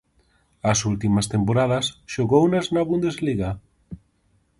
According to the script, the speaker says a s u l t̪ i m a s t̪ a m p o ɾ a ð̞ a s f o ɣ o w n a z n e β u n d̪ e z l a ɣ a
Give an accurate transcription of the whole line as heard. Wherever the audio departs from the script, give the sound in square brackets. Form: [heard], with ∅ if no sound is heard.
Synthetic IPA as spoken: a s u l t̪ i m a s t̪ [e] m p o ɾ a ð̞ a s [ʃ] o ɣ o w n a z n [a] β u n d̪ e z l [i] ɣ a